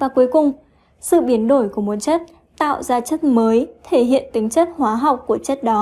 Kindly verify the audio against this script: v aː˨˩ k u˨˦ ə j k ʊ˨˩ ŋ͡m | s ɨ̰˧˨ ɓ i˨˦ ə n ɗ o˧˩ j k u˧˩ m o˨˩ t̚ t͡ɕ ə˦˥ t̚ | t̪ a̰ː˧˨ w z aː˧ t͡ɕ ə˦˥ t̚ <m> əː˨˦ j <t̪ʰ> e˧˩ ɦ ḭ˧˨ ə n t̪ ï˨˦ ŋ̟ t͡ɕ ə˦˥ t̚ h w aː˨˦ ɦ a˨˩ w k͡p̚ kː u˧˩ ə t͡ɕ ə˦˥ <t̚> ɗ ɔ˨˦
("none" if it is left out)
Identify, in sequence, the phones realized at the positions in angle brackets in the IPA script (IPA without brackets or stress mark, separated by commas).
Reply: m, t̪ʰ, t̚